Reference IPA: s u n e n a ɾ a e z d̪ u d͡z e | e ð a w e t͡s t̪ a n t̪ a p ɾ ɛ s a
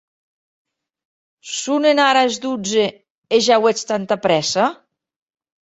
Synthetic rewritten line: s u n e n a ɾ a e z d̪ u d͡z e | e ʒ a w e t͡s t̪ a n t̪ a p ɾ ɛ s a